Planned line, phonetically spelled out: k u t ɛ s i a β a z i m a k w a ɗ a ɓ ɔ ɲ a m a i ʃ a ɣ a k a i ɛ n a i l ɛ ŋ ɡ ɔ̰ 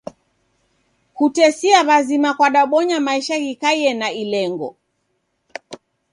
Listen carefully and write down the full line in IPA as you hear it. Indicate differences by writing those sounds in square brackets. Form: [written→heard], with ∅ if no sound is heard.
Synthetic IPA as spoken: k u t ɛ s i a β a z i m a k w a ɗ a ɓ ɔ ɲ a m a i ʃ a ɣ [a→i] k a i ɛ n a i l ɛ ŋ ɡ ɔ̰